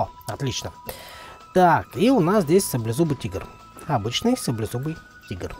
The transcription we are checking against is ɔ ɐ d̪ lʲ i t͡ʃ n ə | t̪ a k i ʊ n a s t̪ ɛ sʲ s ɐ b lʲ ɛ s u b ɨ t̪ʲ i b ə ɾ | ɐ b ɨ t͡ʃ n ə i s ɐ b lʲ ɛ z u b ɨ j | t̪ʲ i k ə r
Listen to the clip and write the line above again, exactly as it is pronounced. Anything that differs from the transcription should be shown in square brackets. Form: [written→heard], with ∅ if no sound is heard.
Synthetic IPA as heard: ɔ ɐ [d̪→t̪] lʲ i t͡ʃ n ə | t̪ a k i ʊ n a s [t̪→d̪] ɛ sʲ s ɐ b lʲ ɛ [s→z] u b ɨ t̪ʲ i [b→ɡ] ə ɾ | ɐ b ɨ t͡ʃ n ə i s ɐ b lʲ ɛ z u b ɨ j | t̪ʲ i [k→ɡ] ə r

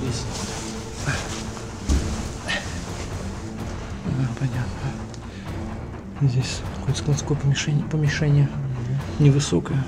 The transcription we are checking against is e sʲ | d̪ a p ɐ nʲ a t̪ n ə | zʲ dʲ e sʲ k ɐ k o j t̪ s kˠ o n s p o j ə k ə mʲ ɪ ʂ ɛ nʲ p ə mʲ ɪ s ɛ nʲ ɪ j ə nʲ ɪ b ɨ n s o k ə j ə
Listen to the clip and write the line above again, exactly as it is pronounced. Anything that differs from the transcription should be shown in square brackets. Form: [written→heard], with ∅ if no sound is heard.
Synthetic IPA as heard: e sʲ | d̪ a p ɐ nʲ a t̪ n ə | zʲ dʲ e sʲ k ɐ k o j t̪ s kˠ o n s [p→k] o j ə [k→p] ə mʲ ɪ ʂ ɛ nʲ p ə mʲ ɪ [s→ʂ] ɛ nʲ ɪ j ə nʲ ɪ [b→v] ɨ [n→∅] s o k ə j ə

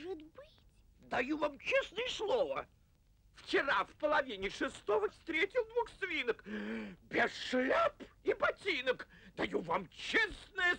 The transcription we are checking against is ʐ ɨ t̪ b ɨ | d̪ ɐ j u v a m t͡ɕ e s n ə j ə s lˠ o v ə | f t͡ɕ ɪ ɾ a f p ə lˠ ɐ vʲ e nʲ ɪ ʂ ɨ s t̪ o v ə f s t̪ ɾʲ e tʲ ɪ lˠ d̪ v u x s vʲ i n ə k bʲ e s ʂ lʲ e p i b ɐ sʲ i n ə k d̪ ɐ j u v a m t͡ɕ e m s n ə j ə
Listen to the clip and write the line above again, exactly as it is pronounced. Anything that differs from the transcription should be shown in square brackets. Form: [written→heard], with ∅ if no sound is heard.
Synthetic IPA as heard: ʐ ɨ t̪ b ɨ | d̪ ɐ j u v a m t͡ɕ e s n ə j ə s lˠ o v ə | f t͡ɕ ɪ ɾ a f p ə lˠ ɐ vʲ [e→i] nʲ ɪ ʂ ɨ s t̪ o v ə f s t̪ ɾʲ e tʲ ɪ lˠ d̪ v u x s vʲ i n ə k bʲ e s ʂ lʲ [e→a] p i b ɐ [sʲ→tʲ] i n ə k d̪ ɐ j u v a m t͡ɕ e [m→∅] s n ə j ə

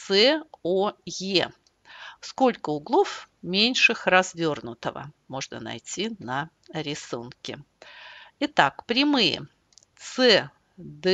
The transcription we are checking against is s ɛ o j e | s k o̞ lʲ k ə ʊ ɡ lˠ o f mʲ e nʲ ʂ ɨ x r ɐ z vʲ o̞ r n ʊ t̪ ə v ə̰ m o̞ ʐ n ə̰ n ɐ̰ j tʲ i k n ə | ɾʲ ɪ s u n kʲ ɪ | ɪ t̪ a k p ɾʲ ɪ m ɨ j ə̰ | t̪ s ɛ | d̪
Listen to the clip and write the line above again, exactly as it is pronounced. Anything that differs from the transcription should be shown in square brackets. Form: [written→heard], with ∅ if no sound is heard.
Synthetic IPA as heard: s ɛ o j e | s k o̞ lʲ k ə ʊ ɡ lˠ o f mʲ e nʲ ʂ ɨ x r ɐ z vʲ o̞ r n ʊ t̪ ə v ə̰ m o̞ ʐ n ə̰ n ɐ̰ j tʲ i [k→∅] n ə | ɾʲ ɪ s u n kʲ ɪ | ɪ t̪ a k p ɾʲ ɪ m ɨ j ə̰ | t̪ s ɛ | d̪

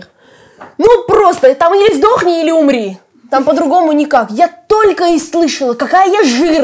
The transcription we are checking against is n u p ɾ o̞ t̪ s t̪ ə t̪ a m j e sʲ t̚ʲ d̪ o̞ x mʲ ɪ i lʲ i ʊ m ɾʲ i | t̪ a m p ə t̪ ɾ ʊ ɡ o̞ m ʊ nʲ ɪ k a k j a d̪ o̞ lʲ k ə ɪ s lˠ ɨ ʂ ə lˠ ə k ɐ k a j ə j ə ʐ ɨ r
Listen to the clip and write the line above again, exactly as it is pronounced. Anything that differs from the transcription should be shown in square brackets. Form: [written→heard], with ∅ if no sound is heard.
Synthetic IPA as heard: n u p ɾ o̞ [t̪→∅] s t̪ ə t̪ a m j e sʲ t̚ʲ d̪ o̞ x [mʲ→nʲ] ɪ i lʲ [i→ɪ] ʊ m ɾʲ i | t̪ a m p ə [t̪→d̪] ɾ ʊ ɡ o̞ m ʊ nʲ ɪ k a k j a [d̪→t̪] o̞ lʲ k ə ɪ s lˠ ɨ ʂ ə lˠ ə k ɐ k a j ə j [ə→a] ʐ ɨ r

